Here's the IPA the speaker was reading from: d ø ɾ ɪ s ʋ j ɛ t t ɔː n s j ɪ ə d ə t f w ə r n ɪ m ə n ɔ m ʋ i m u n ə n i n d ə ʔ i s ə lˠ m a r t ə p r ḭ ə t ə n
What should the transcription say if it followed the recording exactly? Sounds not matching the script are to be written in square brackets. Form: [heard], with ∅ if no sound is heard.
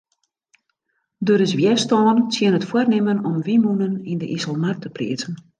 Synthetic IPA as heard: d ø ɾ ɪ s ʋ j ɛ [s] t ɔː n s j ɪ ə [n] ə t f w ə r n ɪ m ə n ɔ m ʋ i m u n ə n i n d ə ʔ i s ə lˠ m a r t ə p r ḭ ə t ə n